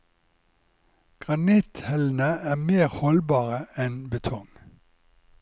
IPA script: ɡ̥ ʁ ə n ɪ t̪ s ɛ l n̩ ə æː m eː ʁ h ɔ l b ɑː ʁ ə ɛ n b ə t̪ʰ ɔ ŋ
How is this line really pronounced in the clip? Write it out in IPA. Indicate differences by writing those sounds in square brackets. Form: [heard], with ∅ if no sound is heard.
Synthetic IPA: ɡ̥ ʁ [ɑ] n ɪ t̪ [h] ɛ l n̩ ə æː m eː ʁ h ɔ l b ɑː ʁ ə ɛ n b ə t̪ʰ ɔ ŋ

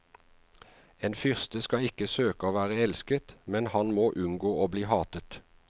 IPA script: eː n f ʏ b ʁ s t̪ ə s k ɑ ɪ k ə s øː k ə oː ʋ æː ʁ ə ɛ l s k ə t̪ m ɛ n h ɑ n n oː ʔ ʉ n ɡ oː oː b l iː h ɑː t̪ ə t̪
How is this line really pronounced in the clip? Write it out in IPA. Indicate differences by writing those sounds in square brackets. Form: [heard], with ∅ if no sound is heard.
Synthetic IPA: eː n f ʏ [∅] ʁ s t̪ ə s k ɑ ɪ k ə s øː k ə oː ʋ æː ʁ ə ɛ l s k ə t̪ m ɛ n h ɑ n [m] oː ʔ ʉ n ɡ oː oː b l iː h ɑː t̪ ə t̪

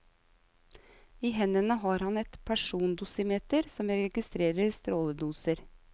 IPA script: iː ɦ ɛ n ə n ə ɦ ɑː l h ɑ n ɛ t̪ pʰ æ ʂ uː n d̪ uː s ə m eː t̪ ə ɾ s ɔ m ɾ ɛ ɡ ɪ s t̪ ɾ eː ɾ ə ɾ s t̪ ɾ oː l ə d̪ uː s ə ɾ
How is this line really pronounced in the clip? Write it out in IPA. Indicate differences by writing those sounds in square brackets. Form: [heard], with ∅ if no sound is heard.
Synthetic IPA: iː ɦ ɛ n ə n ə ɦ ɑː [ɾ] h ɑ n ɛ t̪ pʰ æ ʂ uː n d̪ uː s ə m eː t̪ ə ɾ s ɔ m ɾ ɛ ɡ ɪ s t̪ ɾ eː ɾ ə ɾ s t̪ ɾ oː l ə d̪ uː s ə ɾ

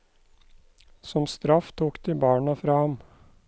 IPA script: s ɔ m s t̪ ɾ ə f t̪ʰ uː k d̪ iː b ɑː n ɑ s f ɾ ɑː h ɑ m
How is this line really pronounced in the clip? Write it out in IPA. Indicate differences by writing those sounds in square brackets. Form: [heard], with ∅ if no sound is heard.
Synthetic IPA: s ɔ m s t̪ ɾ [ɑ] f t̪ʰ uː k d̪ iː b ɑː [ɳ] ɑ [∅] f ɾ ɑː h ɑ m

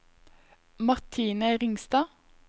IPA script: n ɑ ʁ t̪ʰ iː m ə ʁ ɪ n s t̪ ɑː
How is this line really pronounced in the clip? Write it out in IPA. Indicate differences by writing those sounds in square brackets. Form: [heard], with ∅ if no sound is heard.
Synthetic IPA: [m] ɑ ʁ t̪ʰ iː [n] ə ʁ ɪ [ŋ] s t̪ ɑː

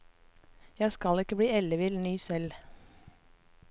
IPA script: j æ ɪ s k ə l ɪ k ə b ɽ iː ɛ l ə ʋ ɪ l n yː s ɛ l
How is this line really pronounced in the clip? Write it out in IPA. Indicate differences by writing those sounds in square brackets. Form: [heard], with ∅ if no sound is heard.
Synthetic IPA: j æ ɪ s k [ɑ] l ɪ k ə b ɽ iː ɛ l ə ʋ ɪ l n yː s ɛ l

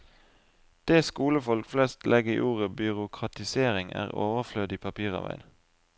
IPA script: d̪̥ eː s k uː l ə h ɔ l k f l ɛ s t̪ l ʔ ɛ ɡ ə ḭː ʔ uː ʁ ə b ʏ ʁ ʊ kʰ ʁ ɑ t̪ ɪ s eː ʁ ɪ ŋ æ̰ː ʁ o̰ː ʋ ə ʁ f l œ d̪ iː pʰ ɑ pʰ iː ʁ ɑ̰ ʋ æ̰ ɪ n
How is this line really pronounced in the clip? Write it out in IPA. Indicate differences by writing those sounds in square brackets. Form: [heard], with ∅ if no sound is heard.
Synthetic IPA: d̪̥ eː s k uː l ə [f] ɔ l k f l ɛ s t̪ l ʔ ɛ ɡ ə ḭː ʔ uː ʁ ə b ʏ ʁ ʊ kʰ ʁ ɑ t̪ ɪ s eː ʁ ɪ ŋ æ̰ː ʁ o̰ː ʋ ə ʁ f l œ d̪ iː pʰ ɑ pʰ iː ʁ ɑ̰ ʋ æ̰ ɪ n

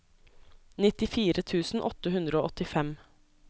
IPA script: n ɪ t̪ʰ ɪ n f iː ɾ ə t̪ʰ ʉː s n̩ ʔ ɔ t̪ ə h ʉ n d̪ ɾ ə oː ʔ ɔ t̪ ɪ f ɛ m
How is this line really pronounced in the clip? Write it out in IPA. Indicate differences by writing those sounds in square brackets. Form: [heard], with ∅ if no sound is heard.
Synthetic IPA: n ɪ [t̪] ɪ [∅] f iː ɾ ə t̪ʰ ʉː s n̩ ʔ ɔ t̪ ə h ʉ n d̪ ɾ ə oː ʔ ɔ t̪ ɪ f ɛ m

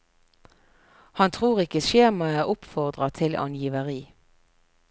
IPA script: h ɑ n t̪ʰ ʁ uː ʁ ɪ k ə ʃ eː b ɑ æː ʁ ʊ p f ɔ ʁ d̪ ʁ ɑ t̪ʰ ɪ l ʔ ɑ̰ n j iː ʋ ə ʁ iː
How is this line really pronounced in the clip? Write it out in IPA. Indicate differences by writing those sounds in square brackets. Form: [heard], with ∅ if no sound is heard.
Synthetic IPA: h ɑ n t̪ʰ ʁ uː ʁ ɪ k ə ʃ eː [m] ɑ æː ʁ ʊ p f ɔ ʁ d̪ ʁ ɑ t̪ʰ ɪ l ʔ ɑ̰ n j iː ʋ ə ʁ iː

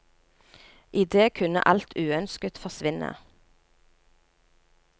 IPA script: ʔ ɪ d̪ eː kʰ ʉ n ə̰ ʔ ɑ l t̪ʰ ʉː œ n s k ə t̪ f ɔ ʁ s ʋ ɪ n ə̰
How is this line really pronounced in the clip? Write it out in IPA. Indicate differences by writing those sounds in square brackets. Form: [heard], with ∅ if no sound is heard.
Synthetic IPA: ʔ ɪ d̪ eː kʰ ʉ n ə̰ ʔ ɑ l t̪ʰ ʉː œ n s k ə t̪ f ɔ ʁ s ʋ ɪ n ə̰

